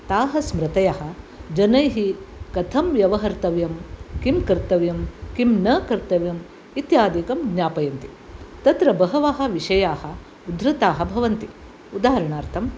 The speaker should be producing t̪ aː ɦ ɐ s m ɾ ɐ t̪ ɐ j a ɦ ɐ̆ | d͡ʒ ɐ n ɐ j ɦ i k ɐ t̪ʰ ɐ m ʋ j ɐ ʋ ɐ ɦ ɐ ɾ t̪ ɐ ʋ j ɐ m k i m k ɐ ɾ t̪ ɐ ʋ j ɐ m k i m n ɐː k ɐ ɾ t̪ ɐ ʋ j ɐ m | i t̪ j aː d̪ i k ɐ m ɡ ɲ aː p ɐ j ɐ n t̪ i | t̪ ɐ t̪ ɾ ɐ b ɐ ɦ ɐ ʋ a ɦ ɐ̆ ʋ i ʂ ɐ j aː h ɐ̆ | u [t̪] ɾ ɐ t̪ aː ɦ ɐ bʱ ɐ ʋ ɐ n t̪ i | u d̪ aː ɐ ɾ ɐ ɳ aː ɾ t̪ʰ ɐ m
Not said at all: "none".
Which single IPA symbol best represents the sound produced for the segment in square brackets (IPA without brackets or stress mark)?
d̪